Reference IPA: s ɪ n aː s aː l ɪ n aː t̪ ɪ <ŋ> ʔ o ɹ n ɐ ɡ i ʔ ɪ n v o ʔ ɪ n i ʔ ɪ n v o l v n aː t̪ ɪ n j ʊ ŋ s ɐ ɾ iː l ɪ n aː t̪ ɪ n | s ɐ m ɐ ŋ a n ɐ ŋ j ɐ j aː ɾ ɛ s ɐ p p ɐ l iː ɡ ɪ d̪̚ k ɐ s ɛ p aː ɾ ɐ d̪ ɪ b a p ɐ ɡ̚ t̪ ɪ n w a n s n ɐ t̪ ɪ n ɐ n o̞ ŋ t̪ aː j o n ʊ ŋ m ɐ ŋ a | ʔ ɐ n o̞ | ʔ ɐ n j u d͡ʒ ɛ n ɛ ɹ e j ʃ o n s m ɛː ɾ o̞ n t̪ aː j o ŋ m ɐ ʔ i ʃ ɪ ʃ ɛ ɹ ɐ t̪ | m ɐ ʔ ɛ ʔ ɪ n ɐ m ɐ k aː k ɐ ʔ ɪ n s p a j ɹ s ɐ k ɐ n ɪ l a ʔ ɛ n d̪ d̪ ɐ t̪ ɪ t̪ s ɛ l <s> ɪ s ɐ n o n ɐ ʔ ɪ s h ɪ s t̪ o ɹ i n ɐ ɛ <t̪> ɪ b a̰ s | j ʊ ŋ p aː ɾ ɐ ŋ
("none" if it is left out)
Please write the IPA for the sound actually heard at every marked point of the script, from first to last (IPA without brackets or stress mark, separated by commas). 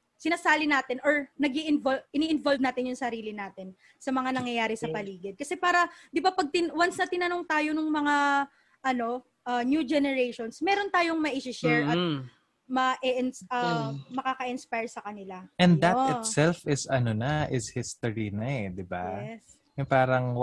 n, f, d̪